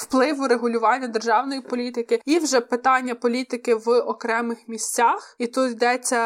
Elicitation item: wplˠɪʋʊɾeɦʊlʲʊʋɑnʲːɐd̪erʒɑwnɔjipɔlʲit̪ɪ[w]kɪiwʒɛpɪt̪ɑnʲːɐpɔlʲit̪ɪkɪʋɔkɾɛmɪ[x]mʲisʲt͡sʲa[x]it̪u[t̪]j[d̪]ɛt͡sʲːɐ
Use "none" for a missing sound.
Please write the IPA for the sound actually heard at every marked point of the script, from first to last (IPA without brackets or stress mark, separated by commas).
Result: none, x, x, t̪, d̪